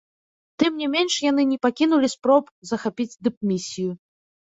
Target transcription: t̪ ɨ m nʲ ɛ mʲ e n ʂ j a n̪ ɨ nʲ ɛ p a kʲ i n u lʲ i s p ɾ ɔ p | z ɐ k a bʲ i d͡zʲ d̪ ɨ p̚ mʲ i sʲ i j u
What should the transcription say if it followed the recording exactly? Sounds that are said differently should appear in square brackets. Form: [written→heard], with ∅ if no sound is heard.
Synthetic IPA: t̪ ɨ m nʲ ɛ mʲ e n ʂ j a n̪ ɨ nʲ ɛ p a kʲ i n u lʲ i s p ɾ ɔ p | z ɐ [k→x] a [bʲ→pʲ] i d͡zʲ d̪ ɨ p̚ mʲ i sʲ i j u